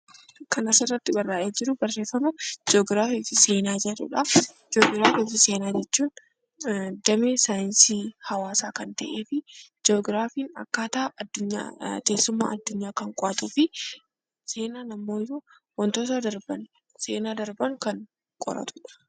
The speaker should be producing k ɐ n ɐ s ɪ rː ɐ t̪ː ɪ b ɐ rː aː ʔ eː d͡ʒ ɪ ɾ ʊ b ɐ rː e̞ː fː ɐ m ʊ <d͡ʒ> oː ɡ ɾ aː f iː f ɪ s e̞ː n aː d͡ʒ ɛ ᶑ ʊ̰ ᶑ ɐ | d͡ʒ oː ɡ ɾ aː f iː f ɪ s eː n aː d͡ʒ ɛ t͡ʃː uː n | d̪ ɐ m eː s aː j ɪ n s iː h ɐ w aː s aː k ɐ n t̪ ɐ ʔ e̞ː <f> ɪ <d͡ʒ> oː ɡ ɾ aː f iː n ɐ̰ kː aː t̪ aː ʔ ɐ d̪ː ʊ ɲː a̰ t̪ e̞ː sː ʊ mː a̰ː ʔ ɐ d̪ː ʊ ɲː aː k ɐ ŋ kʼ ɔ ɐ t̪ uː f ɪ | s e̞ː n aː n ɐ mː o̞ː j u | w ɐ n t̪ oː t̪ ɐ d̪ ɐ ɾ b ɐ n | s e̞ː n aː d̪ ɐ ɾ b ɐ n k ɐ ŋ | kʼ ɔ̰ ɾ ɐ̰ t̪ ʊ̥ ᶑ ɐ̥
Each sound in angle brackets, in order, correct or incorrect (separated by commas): correct, correct, correct